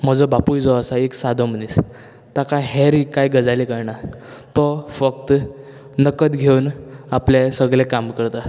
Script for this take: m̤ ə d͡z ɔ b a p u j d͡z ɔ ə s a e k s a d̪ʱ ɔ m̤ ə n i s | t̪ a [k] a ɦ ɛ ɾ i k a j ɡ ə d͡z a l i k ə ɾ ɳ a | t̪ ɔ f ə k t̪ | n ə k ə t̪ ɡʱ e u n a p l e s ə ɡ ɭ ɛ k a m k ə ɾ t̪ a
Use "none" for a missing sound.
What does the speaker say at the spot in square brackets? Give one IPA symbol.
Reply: k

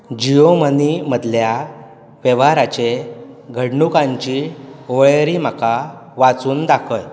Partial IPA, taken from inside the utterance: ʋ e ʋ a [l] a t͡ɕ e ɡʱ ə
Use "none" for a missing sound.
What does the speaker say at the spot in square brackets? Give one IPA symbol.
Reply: ɾ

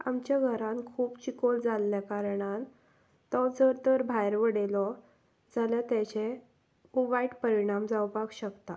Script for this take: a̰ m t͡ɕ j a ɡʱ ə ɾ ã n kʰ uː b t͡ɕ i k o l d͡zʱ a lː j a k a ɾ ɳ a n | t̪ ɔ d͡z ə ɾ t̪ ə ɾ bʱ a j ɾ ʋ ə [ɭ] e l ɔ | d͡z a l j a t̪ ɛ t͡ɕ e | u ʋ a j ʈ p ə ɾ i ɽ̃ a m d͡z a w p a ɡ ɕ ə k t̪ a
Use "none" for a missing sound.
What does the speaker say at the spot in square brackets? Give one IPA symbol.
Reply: ɽ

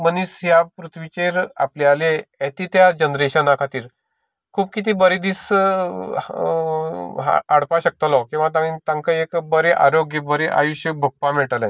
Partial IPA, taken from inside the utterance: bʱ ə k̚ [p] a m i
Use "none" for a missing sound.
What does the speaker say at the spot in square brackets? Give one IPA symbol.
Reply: p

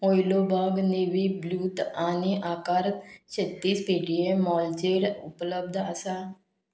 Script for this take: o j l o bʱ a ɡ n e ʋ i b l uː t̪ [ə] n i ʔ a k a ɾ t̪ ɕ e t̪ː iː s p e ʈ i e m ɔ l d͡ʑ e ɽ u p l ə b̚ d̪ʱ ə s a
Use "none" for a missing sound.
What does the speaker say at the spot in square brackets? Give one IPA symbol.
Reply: a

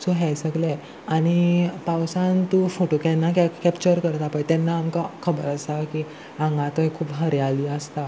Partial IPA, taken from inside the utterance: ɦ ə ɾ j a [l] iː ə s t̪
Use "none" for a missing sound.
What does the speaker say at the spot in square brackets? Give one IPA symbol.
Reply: l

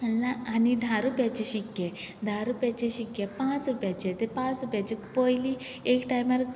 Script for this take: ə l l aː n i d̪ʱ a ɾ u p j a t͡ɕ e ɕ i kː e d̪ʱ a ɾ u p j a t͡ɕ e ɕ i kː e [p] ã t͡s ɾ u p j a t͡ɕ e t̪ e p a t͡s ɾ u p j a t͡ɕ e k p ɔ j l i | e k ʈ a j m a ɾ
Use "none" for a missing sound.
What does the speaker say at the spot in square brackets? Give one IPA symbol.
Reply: p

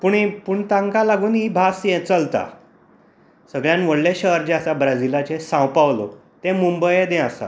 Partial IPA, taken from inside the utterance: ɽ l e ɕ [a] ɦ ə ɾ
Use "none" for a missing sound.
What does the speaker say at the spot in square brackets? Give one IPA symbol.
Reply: ə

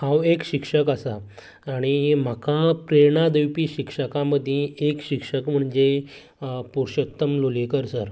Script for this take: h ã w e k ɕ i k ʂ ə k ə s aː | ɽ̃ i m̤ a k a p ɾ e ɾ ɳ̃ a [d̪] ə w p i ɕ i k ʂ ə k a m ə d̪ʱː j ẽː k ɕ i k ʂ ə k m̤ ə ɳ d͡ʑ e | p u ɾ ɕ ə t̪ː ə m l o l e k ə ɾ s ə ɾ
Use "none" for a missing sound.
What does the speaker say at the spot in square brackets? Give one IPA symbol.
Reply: d̪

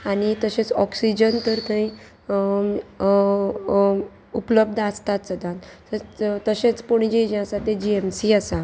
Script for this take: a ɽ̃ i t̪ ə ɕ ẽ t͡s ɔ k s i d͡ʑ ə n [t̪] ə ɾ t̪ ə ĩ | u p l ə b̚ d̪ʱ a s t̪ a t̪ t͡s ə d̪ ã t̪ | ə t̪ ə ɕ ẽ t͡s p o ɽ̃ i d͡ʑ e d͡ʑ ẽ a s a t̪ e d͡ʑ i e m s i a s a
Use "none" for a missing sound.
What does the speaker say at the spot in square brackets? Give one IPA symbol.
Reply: t̪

